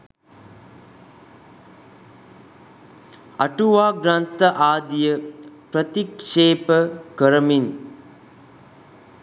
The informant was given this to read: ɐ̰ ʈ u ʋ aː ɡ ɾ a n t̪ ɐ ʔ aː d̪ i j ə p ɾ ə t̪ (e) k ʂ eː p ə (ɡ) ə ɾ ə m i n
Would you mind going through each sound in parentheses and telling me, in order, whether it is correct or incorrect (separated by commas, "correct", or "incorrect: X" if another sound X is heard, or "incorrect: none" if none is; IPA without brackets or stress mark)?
incorrect: i, incorrect: k